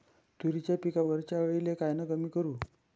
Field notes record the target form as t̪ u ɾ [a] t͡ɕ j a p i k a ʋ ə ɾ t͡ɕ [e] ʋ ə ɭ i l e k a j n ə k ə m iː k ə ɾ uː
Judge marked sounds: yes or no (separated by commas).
no, no